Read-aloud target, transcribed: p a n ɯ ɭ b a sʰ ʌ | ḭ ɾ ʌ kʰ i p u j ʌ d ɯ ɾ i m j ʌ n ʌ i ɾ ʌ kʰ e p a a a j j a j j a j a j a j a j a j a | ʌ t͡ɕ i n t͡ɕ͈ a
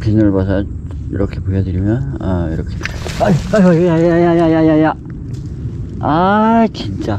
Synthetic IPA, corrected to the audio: p i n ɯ ɭ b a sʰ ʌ | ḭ ɾ ʌ kʰ e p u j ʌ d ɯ ɾ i m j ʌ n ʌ i ɾ ʌ kʰ e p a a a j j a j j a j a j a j a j a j a | a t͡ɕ i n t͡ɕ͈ a